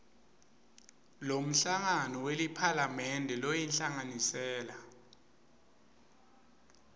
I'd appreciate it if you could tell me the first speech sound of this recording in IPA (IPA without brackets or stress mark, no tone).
l